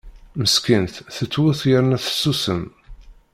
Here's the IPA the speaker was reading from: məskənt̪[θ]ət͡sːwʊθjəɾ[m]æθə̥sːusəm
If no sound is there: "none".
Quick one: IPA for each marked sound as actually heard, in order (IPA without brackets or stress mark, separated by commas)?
θ, n